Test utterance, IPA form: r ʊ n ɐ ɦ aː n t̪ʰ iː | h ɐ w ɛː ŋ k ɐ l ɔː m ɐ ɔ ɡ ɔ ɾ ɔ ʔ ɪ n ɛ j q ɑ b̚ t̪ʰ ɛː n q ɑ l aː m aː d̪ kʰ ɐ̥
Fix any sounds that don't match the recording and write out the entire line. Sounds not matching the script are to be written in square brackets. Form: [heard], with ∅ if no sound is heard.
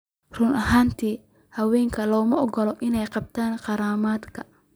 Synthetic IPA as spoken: r ʊ n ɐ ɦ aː n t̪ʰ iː | h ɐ w ɛː ŋ [kʰ] ɐ l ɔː m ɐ ɔ ɡ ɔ [l] ɔ ʔ ɪ n ɛ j q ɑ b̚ t̪ʰ [aː] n q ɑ [ɾ] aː m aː d̪ kʰ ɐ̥